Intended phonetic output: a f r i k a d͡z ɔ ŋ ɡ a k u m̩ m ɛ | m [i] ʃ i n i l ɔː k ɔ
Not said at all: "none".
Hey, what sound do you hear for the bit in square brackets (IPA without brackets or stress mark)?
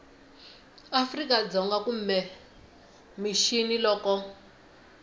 i